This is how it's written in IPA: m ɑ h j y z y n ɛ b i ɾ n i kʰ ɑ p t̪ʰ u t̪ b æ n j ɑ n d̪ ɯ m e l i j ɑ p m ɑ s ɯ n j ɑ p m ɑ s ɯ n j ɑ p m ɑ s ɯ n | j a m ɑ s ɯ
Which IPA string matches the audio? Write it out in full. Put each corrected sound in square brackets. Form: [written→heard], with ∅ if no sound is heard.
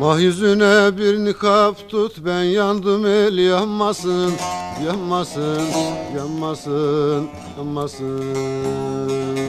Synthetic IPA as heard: m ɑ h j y z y n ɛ b i ɾ n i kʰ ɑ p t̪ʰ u t̪ b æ n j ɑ n d̪ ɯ m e l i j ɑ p m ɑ s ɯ n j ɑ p m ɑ s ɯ n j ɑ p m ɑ s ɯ n | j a m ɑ s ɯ